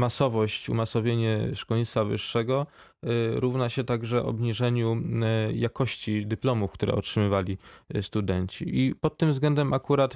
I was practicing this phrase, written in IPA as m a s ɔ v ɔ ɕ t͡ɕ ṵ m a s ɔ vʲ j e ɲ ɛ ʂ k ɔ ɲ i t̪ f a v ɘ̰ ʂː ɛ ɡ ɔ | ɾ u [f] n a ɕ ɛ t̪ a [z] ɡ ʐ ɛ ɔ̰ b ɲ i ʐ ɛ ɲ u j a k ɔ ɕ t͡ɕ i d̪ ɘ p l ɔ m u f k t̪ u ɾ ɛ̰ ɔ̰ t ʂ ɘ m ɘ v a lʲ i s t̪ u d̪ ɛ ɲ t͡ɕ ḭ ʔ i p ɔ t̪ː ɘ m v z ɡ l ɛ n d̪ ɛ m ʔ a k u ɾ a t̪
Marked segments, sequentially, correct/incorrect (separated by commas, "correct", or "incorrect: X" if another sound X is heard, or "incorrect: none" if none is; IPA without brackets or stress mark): incorrect: v, incorrect: none